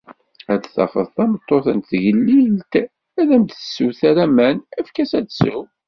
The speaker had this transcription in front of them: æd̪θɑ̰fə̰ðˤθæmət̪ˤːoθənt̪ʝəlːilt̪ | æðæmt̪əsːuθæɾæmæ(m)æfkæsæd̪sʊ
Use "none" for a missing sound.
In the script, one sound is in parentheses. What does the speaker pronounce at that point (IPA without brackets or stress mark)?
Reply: n